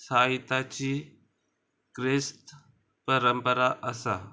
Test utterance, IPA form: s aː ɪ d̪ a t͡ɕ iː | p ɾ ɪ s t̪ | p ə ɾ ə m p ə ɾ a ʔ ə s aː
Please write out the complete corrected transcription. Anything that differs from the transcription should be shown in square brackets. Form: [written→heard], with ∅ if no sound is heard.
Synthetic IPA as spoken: s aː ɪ [d̪→t̪] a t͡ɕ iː | [p→k] ɾ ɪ s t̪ | p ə ɾ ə m p ə ɾ a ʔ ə s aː